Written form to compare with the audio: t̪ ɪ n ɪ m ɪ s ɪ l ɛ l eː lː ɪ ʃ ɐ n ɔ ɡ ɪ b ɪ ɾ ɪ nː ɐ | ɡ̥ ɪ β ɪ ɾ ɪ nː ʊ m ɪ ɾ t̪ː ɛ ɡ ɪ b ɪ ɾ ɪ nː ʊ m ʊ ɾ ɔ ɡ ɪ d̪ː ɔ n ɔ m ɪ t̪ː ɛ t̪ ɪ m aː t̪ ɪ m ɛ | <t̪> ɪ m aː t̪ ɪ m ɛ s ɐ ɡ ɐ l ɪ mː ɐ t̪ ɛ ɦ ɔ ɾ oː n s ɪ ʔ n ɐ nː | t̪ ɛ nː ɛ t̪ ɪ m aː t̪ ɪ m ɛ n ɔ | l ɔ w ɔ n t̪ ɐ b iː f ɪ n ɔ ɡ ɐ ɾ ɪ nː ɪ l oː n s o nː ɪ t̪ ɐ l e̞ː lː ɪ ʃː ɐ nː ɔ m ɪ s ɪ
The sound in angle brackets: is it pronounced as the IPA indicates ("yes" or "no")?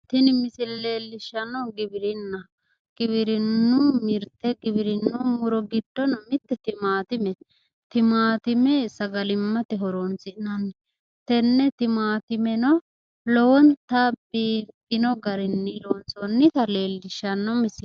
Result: yes